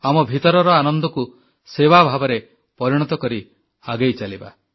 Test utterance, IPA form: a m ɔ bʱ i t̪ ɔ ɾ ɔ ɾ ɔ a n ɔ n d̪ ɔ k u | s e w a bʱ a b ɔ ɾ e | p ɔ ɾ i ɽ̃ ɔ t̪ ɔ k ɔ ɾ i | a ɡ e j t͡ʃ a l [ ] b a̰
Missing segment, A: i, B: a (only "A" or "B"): A